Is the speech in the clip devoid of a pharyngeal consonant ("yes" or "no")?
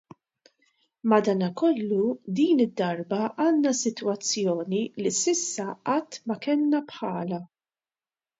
no